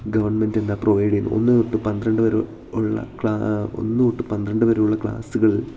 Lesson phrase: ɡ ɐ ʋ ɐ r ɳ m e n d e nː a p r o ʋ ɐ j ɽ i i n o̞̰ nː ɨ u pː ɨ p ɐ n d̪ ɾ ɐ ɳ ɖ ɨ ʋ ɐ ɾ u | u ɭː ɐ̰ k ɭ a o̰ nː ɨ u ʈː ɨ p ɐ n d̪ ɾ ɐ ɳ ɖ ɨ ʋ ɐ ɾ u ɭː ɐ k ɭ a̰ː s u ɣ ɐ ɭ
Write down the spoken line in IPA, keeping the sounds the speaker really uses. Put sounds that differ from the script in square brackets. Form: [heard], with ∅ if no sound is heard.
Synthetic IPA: ɡ ɐ ʋ ɐ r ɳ m e n d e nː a p r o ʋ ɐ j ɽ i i n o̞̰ nː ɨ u [ʈː] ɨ p ɐ n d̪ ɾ ɐ ɳ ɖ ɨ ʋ ɐ ɾ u | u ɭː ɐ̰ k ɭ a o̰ nː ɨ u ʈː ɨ p ɐ n d̪ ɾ ɐ ɳ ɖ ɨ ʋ ɐ ɾ u ɭː ɐ k ɭ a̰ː s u ɣ ɐ ɭ